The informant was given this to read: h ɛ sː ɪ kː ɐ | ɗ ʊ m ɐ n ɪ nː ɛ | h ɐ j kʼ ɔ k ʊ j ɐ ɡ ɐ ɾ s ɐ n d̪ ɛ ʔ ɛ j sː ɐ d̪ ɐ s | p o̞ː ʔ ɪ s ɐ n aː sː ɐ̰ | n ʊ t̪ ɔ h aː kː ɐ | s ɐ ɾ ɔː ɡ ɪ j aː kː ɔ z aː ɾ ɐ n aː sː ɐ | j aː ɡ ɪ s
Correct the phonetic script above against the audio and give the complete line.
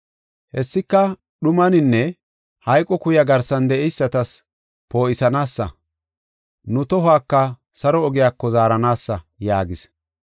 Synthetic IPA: h ɛ sː ɪ kː ɐ | ɗ ʊ m ɐ n ɪ nː ɛ | h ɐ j kʼ ɔ k ʊ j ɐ ɡ ɐ ɾ s ɐ n d̪ ɛ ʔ ɛ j sː ɐ t̪ ɐ s | p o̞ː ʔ ɪ s ɐ n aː sː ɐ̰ | n ʊ t̪ ɔ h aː kː ɐ | s ɐ ɾ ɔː ɡ ɪ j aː kː ɔ z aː ɾ ɐ n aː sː ɐ | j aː ɡ ɪ s